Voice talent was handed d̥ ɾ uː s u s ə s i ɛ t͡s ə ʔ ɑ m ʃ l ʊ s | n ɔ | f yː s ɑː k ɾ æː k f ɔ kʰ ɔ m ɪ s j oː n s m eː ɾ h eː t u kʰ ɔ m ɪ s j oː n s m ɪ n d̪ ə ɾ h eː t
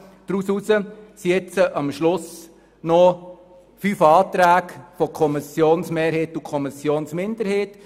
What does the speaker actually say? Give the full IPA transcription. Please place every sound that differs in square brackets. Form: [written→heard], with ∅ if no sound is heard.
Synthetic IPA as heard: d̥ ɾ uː s u s ə s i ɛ t͡s ə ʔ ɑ m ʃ l ʊ s | n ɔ | f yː [s→f] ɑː [k→t] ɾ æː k f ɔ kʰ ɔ m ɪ s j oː n s m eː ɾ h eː t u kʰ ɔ m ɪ s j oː n s m ɪ n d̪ ə ɾ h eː t